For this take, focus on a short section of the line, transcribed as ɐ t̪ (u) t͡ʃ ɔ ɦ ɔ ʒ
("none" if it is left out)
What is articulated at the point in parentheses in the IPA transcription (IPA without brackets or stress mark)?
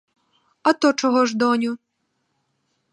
ɔ